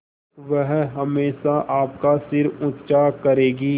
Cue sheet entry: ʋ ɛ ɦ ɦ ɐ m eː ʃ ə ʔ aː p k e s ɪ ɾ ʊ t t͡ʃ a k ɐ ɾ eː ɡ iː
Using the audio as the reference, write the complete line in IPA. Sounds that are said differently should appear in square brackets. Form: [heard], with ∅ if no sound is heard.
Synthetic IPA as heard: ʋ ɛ ɦ ɦ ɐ m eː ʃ [a] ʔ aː p k [a] s ɪ ɾ ʊ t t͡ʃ a k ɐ ɾ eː ɡ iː